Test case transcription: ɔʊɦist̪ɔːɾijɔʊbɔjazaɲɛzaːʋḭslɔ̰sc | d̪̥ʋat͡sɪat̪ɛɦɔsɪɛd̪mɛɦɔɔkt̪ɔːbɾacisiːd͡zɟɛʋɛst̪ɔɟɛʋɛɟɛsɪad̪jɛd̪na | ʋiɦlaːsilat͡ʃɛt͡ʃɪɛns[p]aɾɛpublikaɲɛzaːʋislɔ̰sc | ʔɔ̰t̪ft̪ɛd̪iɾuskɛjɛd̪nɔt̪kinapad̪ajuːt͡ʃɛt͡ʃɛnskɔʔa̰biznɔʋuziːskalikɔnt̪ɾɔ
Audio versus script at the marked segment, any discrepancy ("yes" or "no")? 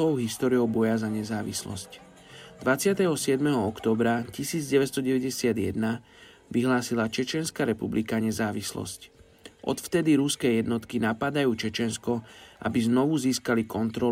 yes